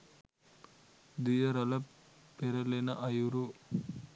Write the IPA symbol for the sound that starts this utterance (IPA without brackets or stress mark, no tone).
d̪